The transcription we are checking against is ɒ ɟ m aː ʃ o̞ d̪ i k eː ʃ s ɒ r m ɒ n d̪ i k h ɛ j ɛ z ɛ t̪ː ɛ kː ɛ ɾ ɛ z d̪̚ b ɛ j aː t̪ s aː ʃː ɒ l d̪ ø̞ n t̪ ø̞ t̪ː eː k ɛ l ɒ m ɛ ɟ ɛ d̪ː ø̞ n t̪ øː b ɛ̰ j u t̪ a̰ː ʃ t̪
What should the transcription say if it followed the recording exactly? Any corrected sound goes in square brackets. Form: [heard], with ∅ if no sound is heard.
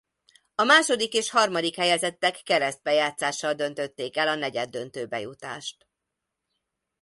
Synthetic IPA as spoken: ɒ [∅] m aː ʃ o̞ d̪ i k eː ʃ [h] ɒ r m ɒ [∅] d̪ i k h ɛ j ɛ z ɛ t̪ː ɛ kː ɛ ɾ ɛ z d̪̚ b ɛ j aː t̪ s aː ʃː ɒ l d̪ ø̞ n t̪ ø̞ t̪ː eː k ɛ l ɒ [n] ɛ ɟ ɛ d̪ː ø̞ n t̪ øː b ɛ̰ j u t̪ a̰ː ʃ t̪